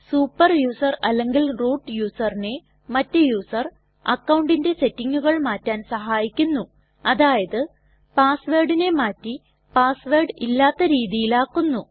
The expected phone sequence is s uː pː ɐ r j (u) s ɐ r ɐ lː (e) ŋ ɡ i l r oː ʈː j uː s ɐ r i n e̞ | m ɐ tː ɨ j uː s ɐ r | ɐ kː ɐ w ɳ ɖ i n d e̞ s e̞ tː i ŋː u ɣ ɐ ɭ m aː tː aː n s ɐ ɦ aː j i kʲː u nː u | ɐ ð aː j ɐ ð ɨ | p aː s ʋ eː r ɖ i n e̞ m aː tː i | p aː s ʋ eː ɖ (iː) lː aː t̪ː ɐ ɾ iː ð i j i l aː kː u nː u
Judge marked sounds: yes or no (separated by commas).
no, yes, no